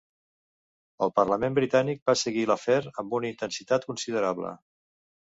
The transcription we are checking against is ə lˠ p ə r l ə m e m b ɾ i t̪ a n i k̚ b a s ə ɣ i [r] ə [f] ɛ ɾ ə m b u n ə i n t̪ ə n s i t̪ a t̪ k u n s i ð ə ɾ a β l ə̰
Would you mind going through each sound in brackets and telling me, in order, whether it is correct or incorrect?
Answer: incorrect: l, correct

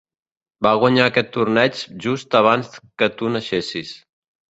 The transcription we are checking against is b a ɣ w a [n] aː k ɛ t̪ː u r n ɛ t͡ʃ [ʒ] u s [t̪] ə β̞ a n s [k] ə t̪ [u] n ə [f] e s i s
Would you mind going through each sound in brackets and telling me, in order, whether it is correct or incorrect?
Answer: incorrect: ɲ, correct, correct, correct, correct, incorrect: ʃ

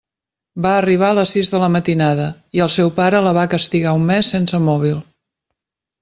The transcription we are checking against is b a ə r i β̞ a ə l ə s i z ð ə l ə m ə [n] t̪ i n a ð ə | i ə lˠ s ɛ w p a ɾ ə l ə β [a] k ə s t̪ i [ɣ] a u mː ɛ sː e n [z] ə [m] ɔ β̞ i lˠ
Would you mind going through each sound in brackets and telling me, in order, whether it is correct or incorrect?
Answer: incorrect: none, correct, correct, incorrect: s, correct

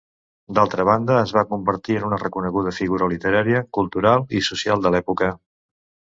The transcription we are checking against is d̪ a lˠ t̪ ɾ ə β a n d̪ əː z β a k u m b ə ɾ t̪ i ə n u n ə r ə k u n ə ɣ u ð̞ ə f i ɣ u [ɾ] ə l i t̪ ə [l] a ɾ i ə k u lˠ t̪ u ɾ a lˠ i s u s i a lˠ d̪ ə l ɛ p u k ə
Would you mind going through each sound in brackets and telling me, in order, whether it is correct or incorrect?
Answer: correct, incorrect: ɾ

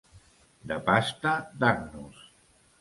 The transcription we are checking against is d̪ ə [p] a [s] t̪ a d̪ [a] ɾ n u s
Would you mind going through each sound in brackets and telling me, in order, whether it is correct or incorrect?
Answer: correct, correct, correct

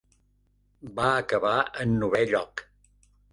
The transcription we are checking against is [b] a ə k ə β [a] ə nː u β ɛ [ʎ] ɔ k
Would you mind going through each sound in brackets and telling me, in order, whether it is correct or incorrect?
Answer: correct, correct, correct

